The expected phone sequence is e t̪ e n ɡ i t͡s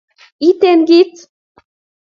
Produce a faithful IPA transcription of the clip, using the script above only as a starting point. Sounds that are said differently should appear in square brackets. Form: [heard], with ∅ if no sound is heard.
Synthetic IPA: [i] t̪ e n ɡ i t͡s